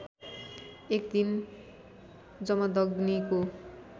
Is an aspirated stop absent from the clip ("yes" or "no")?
yes